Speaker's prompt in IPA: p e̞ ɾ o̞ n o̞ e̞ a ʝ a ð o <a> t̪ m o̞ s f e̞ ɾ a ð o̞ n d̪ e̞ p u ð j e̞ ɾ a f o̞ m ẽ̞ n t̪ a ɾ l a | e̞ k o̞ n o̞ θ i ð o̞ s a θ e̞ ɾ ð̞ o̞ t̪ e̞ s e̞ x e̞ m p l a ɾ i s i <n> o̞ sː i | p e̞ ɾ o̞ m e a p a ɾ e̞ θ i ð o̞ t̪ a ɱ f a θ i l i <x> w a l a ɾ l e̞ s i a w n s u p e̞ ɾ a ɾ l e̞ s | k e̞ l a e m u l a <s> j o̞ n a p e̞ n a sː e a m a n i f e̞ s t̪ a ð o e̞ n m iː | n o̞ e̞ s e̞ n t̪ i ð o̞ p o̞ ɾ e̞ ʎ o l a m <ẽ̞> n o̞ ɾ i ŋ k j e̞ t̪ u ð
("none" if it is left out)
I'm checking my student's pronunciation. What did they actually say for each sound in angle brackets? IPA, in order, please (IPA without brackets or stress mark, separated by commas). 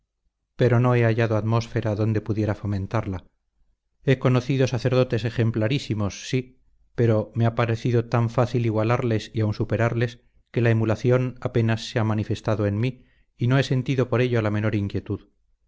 a, m, ɣ, θ, e̞